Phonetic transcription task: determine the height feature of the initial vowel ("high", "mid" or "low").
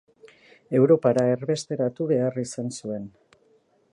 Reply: mid